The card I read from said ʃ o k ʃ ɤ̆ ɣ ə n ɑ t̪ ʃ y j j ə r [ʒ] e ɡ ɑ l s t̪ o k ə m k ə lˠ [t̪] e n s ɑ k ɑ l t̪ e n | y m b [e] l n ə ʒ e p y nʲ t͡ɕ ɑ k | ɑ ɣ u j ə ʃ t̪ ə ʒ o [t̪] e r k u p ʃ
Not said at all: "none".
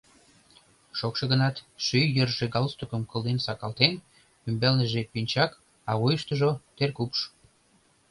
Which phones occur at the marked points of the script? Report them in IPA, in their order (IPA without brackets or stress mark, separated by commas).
ʒ, d̪, e, t̪